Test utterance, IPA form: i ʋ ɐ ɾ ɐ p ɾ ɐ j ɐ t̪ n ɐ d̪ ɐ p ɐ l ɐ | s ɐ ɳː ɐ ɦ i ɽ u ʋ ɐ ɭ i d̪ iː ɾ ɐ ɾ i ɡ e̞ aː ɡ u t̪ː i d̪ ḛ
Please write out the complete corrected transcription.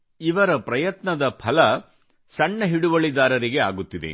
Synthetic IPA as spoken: i ʋ ɐ ɾ ɐ p ɾ ɐ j ɐ t̪ n ɐ d̪ ɐ pʰ ɐ l ɐ | s ɐ ɳː ɐ ɦ i ɽ u ʋ ɐ ɭ i d̪ aː ɾ ɐ ɾ i ɡ e̞ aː ɡ u t̪ː i d̪ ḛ